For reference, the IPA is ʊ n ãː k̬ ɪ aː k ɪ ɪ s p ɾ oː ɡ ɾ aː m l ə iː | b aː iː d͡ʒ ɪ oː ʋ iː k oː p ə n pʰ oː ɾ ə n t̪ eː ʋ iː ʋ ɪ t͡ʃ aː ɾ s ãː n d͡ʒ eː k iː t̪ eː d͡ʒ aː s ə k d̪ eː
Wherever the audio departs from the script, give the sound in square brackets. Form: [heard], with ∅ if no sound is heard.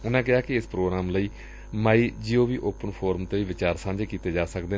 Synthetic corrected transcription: ʊ n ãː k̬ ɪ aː k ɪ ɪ s p ɾ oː ɡ ɾ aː m l ə iː | [m] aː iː d͡ʒ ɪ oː ʋ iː [ʔ] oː p ə n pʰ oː ɾ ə [m] t̪ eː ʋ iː ʋ ɪ t͡ʃ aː ɾ s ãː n d͡ʒ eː k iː t̪ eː d͡ʒ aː s ə k d̪ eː

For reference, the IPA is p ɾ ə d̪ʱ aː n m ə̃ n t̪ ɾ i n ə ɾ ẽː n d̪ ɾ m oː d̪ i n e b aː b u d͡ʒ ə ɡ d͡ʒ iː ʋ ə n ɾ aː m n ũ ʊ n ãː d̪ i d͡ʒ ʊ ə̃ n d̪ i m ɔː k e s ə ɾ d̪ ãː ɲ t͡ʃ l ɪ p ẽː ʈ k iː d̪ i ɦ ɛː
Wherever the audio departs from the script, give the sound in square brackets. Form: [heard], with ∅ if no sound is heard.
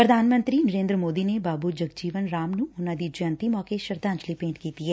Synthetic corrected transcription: p ɾ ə d̪ʱ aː n m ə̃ n t̪ ɾ i n ə ɾ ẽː n d̪ ɾ m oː d̪ i n e b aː b u d͡ʒ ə ɡ d͡ʒ iː ʋ ə n ɾ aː m n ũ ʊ n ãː d̪ i d͡ʒ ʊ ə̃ n [t̪] i m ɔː k e [ʃ] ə ɾ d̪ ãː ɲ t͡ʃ l [i] p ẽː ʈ k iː [t̪] i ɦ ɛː

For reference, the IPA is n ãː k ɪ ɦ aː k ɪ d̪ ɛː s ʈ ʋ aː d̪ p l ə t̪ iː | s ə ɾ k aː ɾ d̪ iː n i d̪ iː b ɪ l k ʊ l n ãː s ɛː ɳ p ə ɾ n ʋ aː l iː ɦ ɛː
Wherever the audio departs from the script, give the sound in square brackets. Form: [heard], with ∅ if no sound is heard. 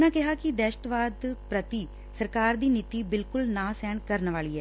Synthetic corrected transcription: n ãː k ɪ ɦ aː k ɪ d̪ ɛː [ʃ] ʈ ʋ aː d̪ p [ɾ] ə t̪ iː | s ə ɾ k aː ɾ d̪ iː n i [t̪] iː b ɪ l k ʊ l n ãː s ɛː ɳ [k] ə ɾ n ʋ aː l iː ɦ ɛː

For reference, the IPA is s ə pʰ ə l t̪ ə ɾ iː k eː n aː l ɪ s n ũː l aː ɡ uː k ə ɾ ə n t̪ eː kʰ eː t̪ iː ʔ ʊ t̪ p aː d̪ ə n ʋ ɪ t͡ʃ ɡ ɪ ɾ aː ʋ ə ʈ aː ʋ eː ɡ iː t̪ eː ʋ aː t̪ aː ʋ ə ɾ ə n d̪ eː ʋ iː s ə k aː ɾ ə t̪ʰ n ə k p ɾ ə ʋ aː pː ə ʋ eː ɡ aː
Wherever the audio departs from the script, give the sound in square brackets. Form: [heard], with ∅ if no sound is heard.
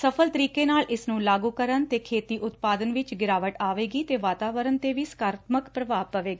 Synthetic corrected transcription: s ə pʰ ə l t̪ ə ɾ iː k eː n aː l ɪ s n ũː l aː ɡ uː k ə ɾ ə n t̪ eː kʰ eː t̪ iː ʔ ʊ t̪ p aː d̪ ə n ʋ ɪ t͡ʃ ɡ ɪ ɾ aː ʋ ə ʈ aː ʋ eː ɡ iː t̪ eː ʋ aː t̪ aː ʋ ə ɾ ə n [t̪] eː ʋ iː s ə k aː ɾ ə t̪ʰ [m] ə k p ɾ ə ʋ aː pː ə ʋ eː ɡ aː

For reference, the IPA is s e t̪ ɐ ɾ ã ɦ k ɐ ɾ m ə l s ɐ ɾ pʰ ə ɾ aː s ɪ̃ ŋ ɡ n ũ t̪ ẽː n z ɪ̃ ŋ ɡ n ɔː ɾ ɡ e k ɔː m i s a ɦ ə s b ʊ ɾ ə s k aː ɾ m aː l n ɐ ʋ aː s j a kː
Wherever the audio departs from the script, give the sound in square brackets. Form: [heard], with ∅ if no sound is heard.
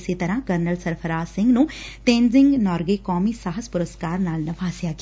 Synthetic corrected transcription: s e t̪ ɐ ɾ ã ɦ k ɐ ɾ [n] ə l s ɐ ɾ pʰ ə ɾ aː s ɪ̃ ŋ ɡ n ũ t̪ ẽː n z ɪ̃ ŋ ɡ n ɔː ɾ ɡ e k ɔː m i s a ɦ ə s [p] ʊ ɾ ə s k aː ɾ [n] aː l n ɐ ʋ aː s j a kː

